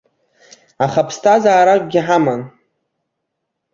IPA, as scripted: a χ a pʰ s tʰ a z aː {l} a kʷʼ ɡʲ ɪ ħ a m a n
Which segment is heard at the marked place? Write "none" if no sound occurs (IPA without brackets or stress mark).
ɾ